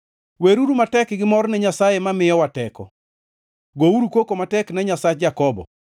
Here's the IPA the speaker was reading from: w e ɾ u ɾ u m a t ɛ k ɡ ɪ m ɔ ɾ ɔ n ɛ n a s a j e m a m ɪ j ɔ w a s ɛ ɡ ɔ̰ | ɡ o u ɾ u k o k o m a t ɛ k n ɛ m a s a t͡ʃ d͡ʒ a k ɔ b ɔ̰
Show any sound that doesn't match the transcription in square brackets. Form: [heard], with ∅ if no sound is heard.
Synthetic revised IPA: w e ɾ u ɾ u m a t ɛ k ɡ ɪ m ɔ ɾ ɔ n ɛ [ɲ] a s a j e m a m ɪ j ɔ w a [t] ɛ [k] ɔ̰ | ɡ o u ɾ u k o k o m a t ɛ k n ɛ [ɲ] a s a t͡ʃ d͡ʒ a k ɔ b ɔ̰